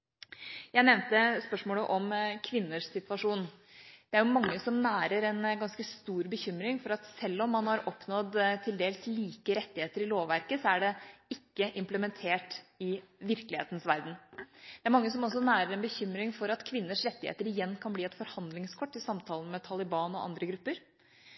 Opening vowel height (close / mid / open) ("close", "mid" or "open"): open